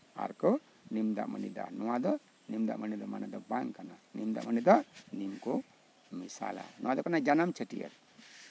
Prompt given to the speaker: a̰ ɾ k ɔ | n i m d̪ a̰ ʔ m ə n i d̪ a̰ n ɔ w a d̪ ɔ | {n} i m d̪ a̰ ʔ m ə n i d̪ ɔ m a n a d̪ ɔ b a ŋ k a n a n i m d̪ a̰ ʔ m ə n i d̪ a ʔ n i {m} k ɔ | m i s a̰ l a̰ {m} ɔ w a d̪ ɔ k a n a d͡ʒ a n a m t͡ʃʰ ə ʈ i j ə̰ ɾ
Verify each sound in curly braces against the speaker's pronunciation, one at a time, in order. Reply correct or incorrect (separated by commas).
correct, correct, incorrect